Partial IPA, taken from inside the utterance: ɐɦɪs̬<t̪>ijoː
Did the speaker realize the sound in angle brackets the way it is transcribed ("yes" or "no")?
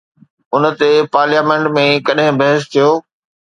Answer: no